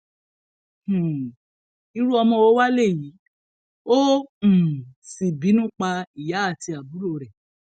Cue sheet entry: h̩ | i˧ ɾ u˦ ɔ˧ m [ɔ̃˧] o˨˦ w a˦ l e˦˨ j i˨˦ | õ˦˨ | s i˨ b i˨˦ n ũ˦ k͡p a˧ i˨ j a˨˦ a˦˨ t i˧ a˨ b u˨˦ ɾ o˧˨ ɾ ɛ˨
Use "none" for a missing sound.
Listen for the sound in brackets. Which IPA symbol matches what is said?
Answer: ɔ̃˧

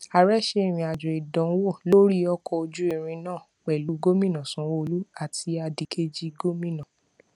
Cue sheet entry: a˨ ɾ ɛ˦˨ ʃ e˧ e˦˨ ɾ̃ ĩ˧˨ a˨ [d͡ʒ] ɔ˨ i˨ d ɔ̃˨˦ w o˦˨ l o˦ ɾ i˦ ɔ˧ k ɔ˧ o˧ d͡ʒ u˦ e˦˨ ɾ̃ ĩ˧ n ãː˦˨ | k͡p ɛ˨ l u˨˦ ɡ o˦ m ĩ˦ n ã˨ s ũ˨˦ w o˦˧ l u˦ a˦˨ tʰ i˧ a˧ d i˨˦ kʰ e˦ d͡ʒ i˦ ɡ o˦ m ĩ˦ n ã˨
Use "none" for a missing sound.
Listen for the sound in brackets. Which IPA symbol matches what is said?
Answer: d͡ʒ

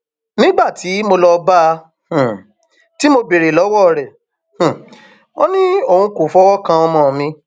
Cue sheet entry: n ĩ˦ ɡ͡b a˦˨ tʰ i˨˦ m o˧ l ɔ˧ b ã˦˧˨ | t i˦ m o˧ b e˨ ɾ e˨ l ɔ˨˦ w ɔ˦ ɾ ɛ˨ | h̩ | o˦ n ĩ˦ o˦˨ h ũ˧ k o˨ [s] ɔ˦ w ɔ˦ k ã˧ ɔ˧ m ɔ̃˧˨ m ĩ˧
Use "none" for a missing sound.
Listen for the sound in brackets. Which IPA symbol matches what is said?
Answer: f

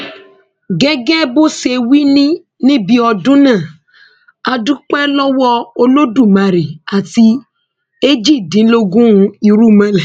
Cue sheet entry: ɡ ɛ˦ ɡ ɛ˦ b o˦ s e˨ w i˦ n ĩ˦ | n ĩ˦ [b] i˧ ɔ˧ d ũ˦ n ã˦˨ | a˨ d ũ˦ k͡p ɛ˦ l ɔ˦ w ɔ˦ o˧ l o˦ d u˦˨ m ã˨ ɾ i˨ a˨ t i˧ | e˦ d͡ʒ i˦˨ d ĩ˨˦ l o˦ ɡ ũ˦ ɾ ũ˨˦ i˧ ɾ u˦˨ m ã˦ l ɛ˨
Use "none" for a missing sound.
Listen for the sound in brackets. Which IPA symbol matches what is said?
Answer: b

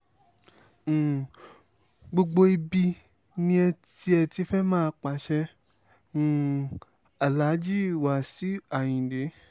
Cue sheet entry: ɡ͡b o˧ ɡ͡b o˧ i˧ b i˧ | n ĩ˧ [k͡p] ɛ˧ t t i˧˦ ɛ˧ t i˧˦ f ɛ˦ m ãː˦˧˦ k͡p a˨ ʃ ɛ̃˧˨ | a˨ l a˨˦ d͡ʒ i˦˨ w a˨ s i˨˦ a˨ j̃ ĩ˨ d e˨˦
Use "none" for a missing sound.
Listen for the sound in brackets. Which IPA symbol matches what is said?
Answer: none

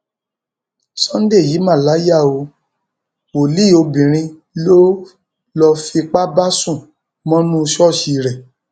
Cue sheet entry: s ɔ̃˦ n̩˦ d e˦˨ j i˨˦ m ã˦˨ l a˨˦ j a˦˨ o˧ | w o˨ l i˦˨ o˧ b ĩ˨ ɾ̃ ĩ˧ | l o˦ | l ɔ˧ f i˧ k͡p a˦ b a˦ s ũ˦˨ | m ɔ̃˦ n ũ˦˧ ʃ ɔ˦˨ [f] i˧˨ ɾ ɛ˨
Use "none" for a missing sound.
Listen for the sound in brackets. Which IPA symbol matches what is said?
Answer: ʃ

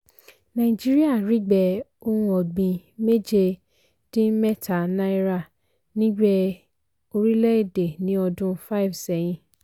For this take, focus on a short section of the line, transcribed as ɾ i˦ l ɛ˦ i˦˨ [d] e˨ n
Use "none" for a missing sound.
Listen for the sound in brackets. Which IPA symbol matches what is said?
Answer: d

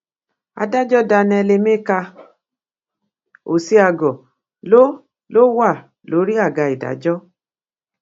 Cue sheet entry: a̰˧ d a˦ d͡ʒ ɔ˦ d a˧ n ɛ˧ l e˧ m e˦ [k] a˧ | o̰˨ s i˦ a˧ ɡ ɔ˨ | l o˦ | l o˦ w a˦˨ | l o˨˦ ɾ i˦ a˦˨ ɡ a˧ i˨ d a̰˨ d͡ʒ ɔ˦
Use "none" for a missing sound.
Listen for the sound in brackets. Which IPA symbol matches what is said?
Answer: k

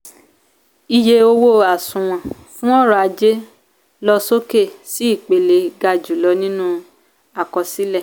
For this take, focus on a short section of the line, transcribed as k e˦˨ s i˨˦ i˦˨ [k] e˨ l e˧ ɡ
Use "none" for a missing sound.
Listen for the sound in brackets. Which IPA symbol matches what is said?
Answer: k͡p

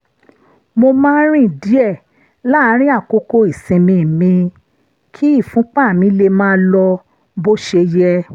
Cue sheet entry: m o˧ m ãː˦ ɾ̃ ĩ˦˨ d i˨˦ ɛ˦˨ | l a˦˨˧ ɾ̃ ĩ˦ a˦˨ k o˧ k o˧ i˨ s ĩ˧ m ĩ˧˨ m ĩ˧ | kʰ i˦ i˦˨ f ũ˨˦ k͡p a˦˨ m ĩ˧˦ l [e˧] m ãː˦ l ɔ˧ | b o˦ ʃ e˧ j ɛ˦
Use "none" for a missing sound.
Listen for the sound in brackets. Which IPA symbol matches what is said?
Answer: e˧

